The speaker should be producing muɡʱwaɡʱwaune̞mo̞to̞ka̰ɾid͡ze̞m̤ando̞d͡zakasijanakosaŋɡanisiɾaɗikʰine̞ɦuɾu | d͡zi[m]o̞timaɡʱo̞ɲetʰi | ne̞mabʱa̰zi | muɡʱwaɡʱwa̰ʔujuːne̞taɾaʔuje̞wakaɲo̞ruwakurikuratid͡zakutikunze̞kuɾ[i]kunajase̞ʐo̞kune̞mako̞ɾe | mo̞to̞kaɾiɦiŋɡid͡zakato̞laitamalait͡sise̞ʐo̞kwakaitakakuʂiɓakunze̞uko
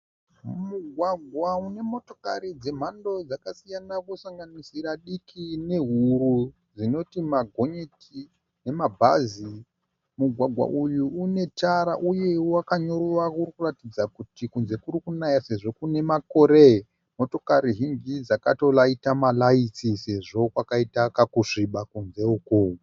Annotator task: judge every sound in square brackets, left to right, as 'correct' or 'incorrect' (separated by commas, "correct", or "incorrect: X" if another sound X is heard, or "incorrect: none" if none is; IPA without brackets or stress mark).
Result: incorrect: n, correct